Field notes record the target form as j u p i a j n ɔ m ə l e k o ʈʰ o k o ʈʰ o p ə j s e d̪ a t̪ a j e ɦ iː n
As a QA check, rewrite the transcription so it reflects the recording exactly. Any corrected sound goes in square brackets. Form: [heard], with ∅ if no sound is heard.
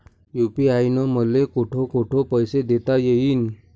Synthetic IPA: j u p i a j n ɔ m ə l e k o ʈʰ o k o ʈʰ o p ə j s e d̪ [e] t̪ a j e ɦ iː n